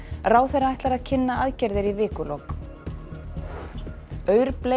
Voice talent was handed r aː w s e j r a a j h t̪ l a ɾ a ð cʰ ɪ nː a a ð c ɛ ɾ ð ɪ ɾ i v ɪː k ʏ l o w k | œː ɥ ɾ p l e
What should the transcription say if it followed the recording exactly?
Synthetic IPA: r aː w θ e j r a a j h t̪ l a ɾ a ð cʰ ɪ nː a a ð c ɛ ɾ ð ɪ ɾ i v ɪː k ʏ l o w k | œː ɥ ɾ p l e